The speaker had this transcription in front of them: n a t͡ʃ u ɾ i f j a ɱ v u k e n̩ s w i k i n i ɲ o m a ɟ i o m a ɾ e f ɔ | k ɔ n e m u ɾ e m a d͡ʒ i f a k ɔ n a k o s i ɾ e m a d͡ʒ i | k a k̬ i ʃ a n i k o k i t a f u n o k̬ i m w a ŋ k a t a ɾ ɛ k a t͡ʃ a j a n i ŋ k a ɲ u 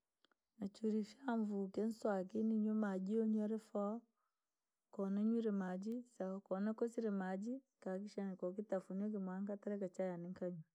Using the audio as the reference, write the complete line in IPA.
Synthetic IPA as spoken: n a t͡ʃ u ɾ i f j a ɱ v u k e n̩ s w a k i n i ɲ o m a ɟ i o ɲ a ɾ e f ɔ | k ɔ n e ɲ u ɾ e m a d͡ʒ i s a k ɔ n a k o s i ɾ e m a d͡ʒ i | k a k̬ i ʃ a n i k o k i t a f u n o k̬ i m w a ŋ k a t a ɾ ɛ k a t͡ʃ a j a n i ŋ k a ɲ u